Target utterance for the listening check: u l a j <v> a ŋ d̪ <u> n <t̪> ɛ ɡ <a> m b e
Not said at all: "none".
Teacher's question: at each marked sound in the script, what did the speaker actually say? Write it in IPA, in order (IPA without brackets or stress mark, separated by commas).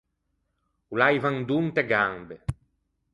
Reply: v, u, t̪, a